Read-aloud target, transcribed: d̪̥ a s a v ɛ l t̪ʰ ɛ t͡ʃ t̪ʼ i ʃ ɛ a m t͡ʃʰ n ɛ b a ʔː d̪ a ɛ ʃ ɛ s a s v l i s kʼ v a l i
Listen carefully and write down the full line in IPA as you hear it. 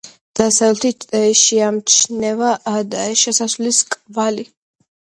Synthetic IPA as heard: d̪̥ a s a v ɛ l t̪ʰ i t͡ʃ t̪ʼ ɛ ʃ i a m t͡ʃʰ n ɛ v a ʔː d̪ a ɛ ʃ ɛ s a s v l i s kʼ v a l i